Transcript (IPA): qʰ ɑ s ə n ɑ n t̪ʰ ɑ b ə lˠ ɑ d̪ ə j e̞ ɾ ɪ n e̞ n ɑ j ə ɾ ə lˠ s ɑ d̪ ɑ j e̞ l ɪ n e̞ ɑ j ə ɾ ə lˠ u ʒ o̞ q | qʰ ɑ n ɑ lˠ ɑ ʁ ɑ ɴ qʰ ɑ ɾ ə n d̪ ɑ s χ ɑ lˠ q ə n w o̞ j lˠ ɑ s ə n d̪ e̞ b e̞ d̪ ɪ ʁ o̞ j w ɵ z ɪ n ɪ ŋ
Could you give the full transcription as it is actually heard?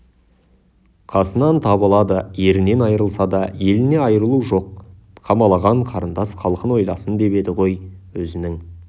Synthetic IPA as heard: qʰ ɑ s ə n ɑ n t̪ʰ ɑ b ə lˠ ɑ d̪ ə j e̞ ɾ ɪ n e̞ n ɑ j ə ɾ ə lˠ s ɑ d̪ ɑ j e̞ l ɪ n e̞ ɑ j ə ɾ ə lˠ u ʒ o̞ q | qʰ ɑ m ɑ lˠ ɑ ʁ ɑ ɴ qʰ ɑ ɾ ə n d̪ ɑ s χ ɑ lˠ q ə n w o̞ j lˠ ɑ s ə n d̪ e̞ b e̞ d̪ ɪ ʁ o̞ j w ɵ z ɪ n ɪ ŋ